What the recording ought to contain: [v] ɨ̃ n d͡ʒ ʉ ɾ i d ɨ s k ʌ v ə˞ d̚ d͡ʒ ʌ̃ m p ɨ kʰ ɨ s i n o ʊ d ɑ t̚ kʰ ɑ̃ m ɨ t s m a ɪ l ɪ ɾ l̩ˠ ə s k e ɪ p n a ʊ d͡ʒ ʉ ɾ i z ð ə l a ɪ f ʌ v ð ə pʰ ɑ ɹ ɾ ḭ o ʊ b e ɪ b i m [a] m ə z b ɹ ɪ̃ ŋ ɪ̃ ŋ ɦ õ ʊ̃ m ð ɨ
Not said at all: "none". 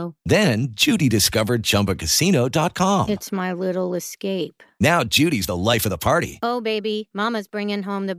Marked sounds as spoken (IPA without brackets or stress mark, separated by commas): ð, ɑ